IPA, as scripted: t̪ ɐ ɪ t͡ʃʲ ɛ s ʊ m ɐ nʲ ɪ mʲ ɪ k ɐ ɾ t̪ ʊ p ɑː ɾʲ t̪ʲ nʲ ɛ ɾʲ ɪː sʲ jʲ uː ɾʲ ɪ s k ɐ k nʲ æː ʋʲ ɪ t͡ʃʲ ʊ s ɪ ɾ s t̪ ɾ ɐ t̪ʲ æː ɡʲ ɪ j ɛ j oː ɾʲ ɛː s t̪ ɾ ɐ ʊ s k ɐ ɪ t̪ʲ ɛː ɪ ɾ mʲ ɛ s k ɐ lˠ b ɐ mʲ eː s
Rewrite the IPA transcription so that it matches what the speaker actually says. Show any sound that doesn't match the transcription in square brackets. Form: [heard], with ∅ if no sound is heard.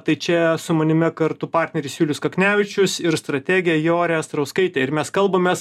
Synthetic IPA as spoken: t̪ ɐ ɪ t͡ʃʲ ɛ s ʊ m ɐ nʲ ɪ mʲ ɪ k ɐ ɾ t̪ ʊ p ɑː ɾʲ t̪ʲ nʲ ɛ ɾʲ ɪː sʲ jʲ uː [lʲ] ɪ s k ɐ k nʲ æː ʋʲ ɪ t͡ʃʲ ʊ s ɪ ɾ s t̪ ɾ ɐ t̪ʲ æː ɡʲ ɪ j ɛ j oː ɾʲ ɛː s t̪ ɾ ɐ ʊ s k ɐ ɪ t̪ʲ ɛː ɪ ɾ mʲ ɛ s k ɐ lˠ b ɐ mʲ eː s